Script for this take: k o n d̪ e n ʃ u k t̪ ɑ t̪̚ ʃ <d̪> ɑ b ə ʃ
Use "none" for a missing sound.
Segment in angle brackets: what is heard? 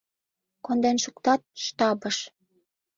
t̪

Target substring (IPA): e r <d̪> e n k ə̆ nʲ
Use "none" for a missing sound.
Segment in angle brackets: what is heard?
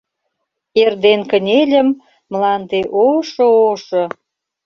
d̪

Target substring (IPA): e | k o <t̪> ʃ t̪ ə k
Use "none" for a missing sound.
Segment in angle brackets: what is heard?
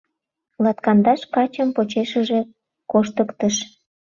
none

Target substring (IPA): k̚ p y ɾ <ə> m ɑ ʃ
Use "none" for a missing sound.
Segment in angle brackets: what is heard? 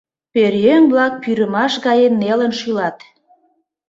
ə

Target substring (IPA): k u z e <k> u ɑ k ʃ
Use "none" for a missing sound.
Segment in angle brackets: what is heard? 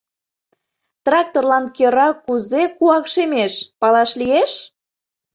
k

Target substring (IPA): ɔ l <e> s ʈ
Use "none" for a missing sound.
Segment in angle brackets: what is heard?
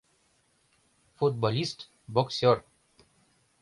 i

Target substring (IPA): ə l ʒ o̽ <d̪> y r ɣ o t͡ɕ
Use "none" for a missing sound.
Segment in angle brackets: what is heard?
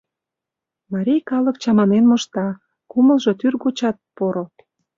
t̪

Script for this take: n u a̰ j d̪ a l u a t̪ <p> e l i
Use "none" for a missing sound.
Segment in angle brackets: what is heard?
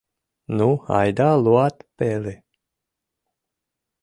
p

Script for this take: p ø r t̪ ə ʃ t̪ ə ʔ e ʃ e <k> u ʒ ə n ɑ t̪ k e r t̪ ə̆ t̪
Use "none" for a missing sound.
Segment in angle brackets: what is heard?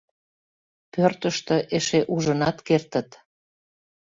ʔ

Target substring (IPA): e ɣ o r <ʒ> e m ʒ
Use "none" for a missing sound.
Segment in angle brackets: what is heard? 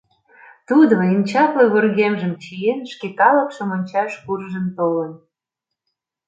ɣ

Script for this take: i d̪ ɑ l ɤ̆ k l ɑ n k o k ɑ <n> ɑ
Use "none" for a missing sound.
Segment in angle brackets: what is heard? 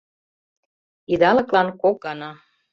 n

